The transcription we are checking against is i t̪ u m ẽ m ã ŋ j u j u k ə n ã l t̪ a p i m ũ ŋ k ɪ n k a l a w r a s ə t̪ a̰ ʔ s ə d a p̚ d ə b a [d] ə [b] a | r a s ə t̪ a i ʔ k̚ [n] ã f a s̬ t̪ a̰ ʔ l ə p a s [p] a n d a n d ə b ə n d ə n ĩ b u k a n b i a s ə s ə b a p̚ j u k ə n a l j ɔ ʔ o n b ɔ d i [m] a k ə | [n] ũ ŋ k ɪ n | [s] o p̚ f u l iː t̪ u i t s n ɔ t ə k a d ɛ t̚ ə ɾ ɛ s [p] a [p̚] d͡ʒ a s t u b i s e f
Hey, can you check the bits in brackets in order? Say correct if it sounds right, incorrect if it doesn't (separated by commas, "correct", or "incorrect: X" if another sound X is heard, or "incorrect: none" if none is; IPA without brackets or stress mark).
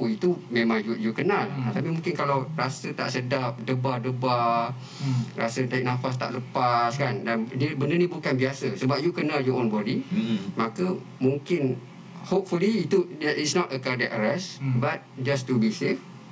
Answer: correct, correct, correct, incorrect: k, correct, incorrect: m, incorrect: h, incorrect: b, incorrect: t̚